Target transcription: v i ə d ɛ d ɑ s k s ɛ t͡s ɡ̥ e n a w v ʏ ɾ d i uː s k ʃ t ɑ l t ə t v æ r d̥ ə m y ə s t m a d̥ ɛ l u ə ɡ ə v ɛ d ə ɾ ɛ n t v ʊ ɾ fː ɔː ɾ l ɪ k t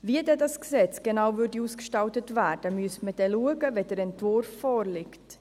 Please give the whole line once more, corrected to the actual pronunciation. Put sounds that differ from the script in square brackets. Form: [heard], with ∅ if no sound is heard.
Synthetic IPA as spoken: v i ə d ɛ d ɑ s k s ɛ t͡s ɡ̥ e n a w v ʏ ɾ d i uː s k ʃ t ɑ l t ə t v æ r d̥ ə m y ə s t m [ə] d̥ ɛ l u ə ɡ ə v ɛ d ə ɾ ɛ n t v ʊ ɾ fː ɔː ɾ l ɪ k t